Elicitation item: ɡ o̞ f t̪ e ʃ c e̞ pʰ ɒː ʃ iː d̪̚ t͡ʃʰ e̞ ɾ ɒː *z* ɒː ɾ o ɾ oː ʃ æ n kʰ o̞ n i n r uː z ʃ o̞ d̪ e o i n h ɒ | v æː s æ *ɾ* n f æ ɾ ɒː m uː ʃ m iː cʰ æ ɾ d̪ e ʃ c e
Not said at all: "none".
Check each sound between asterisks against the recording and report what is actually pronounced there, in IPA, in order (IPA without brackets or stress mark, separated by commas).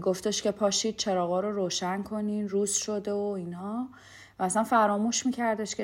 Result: ɣ, none